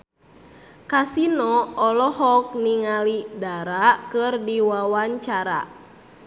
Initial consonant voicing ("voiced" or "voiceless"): voiceless